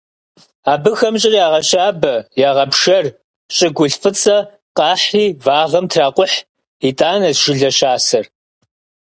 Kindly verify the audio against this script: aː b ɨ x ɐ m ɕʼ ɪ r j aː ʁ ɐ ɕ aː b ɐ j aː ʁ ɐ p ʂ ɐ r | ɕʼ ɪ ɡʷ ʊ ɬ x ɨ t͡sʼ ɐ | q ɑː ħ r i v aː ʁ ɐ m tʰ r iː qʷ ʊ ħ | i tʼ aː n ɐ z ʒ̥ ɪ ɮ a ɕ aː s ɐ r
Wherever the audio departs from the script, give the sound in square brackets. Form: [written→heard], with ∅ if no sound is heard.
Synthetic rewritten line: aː b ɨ x ɐ m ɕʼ ɪ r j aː ʁ ɐ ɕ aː b ɐ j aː ʁ ɐ p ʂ ɐ r | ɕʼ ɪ ɡʷ ʊ ɬ [x→f] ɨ t͡sʼ ɐ | q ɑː ħ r [i→iː] v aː ʁ ɐ m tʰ r [iː→aː] qʷ ʊ ħ | i tʼ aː n ɐ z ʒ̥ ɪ ɮ [a→ɐ] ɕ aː s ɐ r